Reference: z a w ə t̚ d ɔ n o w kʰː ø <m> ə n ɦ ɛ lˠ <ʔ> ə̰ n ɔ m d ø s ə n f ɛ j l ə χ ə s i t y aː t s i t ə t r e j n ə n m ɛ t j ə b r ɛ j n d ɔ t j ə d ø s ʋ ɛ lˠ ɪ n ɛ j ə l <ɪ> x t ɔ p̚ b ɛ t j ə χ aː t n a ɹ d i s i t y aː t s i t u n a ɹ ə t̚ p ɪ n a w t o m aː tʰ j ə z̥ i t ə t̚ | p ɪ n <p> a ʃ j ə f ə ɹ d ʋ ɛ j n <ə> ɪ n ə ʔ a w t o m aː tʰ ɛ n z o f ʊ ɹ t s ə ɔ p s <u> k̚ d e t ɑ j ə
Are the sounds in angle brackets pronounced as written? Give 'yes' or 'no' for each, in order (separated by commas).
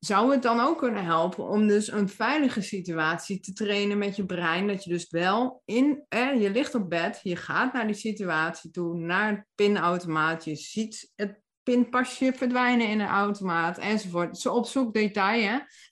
no, no, yes, yes, yes, yes